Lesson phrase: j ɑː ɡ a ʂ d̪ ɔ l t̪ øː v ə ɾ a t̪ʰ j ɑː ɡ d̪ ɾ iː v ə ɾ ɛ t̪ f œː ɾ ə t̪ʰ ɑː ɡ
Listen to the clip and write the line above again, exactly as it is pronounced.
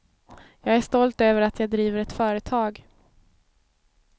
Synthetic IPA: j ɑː ɡ æ ʂ t̪ ɔ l t̪ øː v ə ɾ a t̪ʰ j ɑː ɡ d̪ ɾ iː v ə ɾ ɛ t̪ f œː ɾ ə t̪ʰ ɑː ɡ

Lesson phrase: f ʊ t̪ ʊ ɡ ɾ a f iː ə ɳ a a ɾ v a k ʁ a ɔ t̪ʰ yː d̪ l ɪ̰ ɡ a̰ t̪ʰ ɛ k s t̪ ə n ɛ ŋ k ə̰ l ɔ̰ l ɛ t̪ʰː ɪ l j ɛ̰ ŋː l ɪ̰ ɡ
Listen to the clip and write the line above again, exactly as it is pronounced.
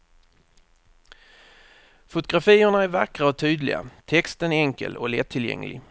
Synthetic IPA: f ʊ t̪ ʊ ɡ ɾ a f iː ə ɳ a æ ɾ v a k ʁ a ɔ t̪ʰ yː d̪ l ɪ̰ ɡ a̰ t̪ʰ ɛ k s t̪ ə n ɛ ŋ k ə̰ l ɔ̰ l ɛ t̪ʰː ɪ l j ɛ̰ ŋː l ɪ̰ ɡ

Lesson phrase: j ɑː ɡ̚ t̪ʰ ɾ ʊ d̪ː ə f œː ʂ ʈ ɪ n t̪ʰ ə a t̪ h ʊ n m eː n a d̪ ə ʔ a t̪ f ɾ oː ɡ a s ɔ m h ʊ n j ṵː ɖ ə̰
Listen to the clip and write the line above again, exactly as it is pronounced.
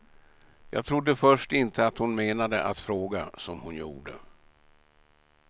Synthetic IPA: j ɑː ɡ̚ t̪ʰ ɾ ʊ d̪ː ə f œ ʂ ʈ ɪ n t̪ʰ ə a t̪ h ʊ n m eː n a d̪ ə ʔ a t̪ f ɾ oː ɡ a s ɔ m h ʊ n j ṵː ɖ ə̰

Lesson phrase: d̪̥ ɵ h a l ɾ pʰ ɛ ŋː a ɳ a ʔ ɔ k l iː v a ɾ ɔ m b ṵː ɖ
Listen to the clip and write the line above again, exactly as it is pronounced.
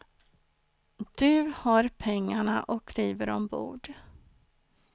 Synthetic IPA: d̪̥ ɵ h a ɾ pʰ ɛ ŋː a ɳ a ʔ ɔ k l iː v ə ɾ ɔ m b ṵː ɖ

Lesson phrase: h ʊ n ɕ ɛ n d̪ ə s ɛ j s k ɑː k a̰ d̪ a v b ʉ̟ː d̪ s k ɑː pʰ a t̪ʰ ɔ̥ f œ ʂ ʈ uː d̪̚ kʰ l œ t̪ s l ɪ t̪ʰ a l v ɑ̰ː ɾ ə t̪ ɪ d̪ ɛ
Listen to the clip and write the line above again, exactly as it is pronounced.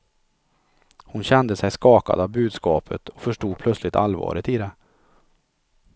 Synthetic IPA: h ʊ n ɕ ɛ n d̪ ə s ɛ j s k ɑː k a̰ d̪ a v b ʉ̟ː d̪ s k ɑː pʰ ə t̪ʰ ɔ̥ f œ ʂ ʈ uː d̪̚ pʰ l œ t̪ s l ɪ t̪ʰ a l v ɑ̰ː ɾ ə t̪ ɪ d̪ ɛ

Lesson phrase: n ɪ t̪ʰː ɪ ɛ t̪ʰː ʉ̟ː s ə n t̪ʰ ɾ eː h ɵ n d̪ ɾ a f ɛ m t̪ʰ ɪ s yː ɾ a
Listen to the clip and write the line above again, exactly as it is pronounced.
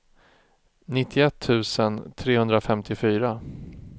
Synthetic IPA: n ɪ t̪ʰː ɪ ɛ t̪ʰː ʉ̟ː s ə n t̪ʰ ɾ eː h ɵ n d̪ ɾ a f ɛ m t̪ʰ ɪ f yː ɾ a

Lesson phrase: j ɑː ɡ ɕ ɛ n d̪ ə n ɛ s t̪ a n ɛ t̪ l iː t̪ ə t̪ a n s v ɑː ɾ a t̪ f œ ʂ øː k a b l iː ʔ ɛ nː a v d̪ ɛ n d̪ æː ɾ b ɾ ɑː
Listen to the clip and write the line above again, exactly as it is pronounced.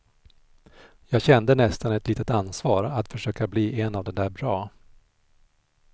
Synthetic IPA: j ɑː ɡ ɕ ɛ n d̪ ə n ɛ s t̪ a n ɛ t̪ l iː t̪ ə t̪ a n s v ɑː ɾ a t̪ f œ ʂ øː k a b l iː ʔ ɛ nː a v d̪ ɛ n d̪ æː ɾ b ɾ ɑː

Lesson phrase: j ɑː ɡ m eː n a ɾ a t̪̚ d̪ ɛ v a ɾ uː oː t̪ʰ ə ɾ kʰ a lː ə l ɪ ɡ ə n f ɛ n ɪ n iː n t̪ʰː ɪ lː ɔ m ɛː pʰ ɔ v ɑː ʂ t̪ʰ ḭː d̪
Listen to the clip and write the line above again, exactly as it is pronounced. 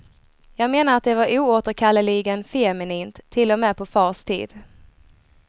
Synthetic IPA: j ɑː ɡ m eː n a ɾ a t̪̚ d̪ ɛ v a ɾ uː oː t̪ ə ɾ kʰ a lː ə l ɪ ɡ ə n f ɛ m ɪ n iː n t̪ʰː ɪ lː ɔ m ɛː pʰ ɔ f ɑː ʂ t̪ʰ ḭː d̪

